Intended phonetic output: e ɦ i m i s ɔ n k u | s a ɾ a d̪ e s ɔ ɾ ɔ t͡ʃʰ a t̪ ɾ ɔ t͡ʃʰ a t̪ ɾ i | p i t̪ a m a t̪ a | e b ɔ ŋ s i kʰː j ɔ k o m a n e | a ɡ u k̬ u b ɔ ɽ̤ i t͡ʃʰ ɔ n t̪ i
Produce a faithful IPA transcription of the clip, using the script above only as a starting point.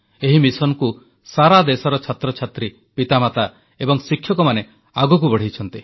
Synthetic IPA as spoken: e ɦ i m i s ɔ n k u | s a ɾ a d̪ e s ɔ ɾ ɔ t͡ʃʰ a t̪ ɾ ɔ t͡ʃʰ a t̪ ɾ i | p i t̪ a m a t̪ a | e b ɔ ŋ s i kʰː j ɔ k ɔ m a n e | a ɡ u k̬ u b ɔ ɽ̤ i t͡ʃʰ ɔ n t̪ i